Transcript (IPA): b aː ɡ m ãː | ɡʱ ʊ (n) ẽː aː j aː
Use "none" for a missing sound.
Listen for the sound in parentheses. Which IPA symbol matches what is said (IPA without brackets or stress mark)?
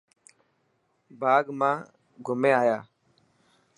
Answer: m